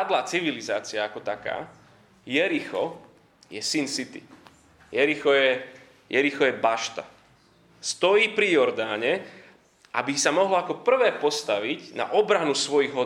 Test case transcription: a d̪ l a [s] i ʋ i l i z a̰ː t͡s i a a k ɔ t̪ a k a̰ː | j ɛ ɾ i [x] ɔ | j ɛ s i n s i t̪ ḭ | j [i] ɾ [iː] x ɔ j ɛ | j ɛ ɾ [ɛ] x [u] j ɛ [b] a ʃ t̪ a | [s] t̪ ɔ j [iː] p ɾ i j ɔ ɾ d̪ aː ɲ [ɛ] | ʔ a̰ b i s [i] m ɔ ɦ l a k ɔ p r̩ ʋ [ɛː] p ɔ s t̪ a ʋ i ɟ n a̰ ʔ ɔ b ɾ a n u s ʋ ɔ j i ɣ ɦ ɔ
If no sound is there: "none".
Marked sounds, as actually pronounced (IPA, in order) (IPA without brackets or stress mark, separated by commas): t͡s, x, ɛ, i, i, ɔ, b, s, iː, ɛ, a, ɛː